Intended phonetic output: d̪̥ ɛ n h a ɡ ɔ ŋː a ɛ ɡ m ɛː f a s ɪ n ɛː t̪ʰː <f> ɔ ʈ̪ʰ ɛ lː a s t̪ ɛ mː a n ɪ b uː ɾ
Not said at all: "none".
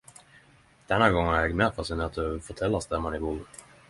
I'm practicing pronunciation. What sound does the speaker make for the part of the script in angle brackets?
f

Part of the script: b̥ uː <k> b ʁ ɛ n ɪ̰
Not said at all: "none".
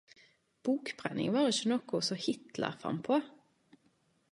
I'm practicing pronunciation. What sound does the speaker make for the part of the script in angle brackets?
k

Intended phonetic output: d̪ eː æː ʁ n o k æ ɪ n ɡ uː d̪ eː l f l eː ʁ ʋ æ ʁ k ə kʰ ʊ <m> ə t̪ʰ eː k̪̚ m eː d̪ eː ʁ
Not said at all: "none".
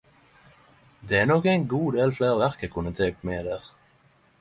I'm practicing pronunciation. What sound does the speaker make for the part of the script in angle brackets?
n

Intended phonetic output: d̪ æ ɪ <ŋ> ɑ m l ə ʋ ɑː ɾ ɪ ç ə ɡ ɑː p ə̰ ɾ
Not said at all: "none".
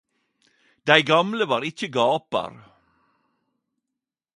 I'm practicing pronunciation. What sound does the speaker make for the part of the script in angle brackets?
ɡ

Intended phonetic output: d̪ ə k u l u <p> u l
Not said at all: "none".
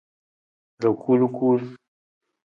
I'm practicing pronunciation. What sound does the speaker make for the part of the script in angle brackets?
k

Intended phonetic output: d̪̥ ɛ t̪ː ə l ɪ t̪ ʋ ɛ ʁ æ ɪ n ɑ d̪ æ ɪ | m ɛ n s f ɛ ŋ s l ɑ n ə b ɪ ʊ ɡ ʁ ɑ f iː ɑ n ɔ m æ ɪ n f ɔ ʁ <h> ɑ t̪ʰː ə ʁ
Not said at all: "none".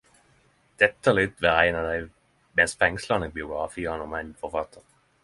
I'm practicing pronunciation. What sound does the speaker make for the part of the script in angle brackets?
f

